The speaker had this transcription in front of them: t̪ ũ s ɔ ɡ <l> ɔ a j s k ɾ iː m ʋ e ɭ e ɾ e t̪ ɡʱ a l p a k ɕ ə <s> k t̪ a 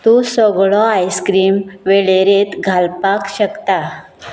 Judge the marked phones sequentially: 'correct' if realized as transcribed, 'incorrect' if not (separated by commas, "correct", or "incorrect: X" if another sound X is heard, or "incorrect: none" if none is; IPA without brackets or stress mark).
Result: incorrect: ɭ, incorrect: none